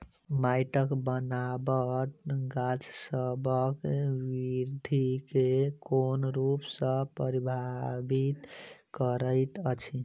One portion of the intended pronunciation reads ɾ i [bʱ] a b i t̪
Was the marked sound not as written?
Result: no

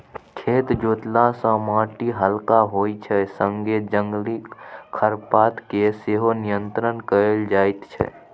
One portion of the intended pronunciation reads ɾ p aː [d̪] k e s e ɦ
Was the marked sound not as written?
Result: yes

